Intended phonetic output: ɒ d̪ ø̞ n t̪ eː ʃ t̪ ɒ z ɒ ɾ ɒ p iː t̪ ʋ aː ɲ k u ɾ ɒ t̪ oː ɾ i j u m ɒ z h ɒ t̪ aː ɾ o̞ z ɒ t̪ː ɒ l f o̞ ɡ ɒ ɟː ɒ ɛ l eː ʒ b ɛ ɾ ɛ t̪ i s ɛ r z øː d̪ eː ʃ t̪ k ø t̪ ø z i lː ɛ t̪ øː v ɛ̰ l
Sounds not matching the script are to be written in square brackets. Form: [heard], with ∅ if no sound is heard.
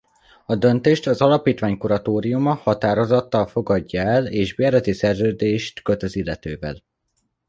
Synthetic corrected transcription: ɒ d̪ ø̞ n t̪ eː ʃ t̪ ɒ z ɒ [l] ɒ p iː t̪ ʋ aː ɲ k u ɾ ɒ t̪ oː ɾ i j u m ɒ [∅] h ɒ t̪ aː ɾ o̞ z ɒ t̪ː ɒ l f o̞ ɡ ɒ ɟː ɒ ɛ l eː ʒ b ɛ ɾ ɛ t̪ i s ɛ r z øː d̪ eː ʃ t̪ k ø t̪ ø z i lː ɛ t̪ øː v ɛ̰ l